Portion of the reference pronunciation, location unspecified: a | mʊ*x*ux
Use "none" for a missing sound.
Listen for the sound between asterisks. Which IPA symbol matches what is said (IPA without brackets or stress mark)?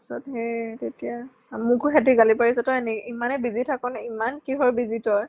k